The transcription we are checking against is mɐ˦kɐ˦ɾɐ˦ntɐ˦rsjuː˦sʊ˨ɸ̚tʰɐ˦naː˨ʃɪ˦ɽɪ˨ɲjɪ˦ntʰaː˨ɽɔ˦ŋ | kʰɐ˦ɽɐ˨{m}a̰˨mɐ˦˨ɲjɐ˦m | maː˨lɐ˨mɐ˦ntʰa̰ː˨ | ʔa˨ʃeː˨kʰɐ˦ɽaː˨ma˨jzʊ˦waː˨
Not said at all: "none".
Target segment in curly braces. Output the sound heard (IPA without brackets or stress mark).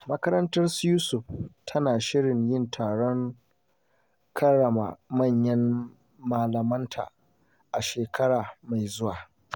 m